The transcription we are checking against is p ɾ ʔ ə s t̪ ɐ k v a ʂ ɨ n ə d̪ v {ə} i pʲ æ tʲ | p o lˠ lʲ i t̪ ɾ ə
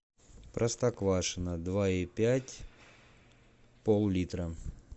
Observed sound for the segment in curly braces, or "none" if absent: a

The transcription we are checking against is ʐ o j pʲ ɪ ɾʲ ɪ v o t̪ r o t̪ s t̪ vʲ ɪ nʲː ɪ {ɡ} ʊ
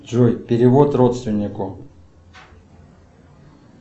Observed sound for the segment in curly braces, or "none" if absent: k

